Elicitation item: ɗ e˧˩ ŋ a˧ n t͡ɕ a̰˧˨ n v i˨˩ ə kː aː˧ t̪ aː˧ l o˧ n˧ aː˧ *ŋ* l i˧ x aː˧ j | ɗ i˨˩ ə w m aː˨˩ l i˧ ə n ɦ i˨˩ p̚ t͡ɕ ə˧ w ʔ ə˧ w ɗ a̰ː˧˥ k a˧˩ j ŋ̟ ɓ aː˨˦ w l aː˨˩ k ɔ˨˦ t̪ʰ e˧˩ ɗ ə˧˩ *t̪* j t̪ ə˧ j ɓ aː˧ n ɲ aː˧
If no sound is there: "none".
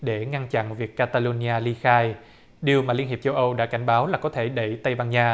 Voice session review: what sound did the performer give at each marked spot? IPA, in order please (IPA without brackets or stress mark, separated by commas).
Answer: none, none